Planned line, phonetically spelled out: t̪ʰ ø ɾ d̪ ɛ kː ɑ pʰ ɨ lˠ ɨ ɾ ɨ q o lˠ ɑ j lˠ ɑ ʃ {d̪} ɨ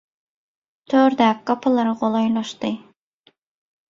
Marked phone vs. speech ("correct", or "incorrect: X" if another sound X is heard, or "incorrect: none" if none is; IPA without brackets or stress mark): incorrect: t̪